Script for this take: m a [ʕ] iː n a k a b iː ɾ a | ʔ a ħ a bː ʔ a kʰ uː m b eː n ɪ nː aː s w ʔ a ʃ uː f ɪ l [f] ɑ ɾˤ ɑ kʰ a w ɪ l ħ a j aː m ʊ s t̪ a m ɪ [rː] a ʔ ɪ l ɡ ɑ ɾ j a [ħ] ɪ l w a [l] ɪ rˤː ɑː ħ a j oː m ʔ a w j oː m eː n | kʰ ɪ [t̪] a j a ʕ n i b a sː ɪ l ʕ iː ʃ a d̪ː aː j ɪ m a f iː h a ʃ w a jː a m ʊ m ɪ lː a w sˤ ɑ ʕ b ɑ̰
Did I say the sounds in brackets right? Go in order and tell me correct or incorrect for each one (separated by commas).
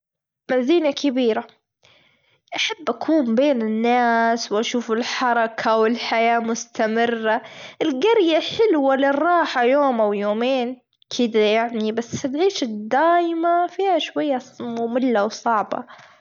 incorrect, incorrect, correct, correct, correct, incorrect